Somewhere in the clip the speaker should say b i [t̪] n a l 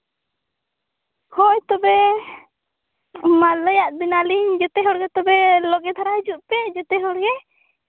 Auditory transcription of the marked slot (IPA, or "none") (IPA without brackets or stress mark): none